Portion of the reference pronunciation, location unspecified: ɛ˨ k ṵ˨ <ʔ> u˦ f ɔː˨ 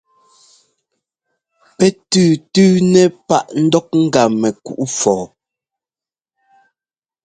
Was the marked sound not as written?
no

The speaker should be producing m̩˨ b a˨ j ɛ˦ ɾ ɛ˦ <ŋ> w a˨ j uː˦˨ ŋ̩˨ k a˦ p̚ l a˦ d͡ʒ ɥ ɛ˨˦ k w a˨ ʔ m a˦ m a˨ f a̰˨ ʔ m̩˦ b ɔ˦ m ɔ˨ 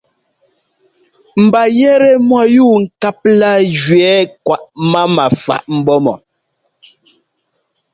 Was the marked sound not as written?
yes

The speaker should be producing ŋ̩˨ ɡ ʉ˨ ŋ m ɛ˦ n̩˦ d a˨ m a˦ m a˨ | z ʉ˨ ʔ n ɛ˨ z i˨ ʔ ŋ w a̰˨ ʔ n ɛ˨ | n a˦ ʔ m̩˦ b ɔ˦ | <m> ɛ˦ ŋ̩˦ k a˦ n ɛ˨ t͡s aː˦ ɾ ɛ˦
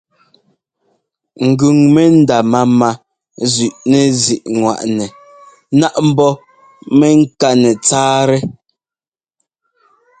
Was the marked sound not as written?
no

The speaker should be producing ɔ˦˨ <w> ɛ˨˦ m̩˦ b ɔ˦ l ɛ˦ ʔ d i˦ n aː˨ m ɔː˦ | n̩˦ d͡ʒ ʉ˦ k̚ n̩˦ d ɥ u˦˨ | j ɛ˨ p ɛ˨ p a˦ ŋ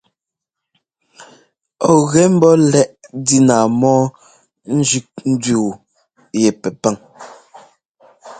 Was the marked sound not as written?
yes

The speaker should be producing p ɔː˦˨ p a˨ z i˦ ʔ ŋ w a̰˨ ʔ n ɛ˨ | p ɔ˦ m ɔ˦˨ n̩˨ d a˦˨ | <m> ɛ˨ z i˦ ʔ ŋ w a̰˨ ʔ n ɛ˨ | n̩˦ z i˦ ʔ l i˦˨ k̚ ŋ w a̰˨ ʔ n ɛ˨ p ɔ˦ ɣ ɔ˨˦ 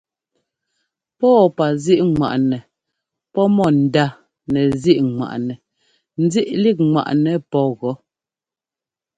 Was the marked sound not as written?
yes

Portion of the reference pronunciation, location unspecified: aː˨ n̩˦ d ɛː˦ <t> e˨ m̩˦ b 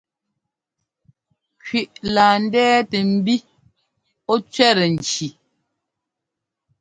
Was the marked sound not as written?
no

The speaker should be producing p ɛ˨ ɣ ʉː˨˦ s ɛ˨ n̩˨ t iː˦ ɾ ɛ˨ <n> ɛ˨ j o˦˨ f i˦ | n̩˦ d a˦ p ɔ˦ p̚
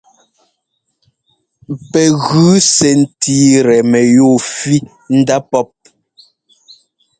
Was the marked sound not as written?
yes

